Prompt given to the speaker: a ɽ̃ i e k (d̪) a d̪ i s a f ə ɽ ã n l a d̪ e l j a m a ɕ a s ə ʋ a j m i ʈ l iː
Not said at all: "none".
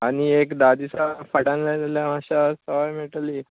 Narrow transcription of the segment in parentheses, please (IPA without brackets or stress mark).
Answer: d̪